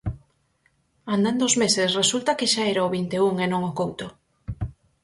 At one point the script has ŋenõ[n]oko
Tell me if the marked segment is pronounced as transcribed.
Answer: no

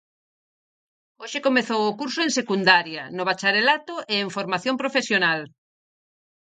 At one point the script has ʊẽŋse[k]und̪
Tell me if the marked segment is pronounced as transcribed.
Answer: yes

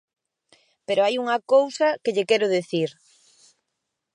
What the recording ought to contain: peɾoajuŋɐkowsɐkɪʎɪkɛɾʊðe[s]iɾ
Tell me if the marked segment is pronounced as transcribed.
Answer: no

